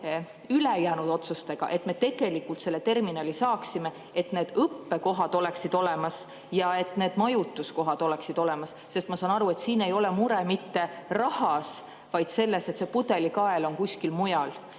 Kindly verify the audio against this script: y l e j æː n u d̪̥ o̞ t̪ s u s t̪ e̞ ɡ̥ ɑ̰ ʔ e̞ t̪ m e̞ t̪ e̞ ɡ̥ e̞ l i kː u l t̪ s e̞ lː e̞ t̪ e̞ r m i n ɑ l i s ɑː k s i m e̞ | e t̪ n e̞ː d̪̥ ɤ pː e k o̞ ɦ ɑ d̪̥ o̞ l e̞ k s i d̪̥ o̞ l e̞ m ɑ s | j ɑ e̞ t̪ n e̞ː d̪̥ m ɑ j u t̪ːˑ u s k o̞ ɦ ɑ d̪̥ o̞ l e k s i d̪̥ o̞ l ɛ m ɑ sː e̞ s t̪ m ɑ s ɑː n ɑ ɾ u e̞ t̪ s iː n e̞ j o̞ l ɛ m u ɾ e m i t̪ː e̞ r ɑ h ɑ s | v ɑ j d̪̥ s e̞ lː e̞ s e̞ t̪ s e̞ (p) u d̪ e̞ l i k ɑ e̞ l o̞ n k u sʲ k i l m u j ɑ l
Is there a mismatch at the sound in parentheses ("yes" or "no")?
no